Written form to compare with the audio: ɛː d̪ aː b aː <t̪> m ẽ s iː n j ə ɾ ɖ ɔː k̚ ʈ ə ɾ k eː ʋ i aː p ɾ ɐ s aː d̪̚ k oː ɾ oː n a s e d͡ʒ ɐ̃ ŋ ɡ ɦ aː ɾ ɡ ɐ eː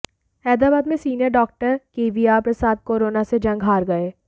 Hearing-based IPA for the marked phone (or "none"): d̪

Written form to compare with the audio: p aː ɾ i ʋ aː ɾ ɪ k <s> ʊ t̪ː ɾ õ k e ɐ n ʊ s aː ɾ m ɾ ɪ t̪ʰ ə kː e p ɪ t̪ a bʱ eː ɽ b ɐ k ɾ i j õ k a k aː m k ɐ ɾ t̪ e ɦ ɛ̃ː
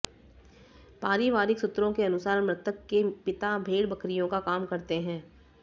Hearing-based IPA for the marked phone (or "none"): s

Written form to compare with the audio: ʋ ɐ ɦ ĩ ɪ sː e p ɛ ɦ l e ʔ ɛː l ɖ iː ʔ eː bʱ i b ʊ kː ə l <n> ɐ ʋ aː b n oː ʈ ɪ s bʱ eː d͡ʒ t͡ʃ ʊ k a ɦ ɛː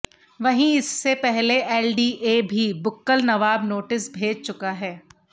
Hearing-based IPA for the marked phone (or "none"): n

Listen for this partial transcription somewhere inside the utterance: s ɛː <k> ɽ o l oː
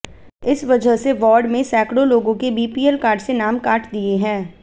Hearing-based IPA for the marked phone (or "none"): k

